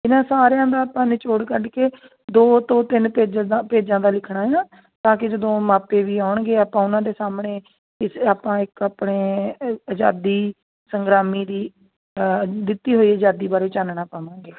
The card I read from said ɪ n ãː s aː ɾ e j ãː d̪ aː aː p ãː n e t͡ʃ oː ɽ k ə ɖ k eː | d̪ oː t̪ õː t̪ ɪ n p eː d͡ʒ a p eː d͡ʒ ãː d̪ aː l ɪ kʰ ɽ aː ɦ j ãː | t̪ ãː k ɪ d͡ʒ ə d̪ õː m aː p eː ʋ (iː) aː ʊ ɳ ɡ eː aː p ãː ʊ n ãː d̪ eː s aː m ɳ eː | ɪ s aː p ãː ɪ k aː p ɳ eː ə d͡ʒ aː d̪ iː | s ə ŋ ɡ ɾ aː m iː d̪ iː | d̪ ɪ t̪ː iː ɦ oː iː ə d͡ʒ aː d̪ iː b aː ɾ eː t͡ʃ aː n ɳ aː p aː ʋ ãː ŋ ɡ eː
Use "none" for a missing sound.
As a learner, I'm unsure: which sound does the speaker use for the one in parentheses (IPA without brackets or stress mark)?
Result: iː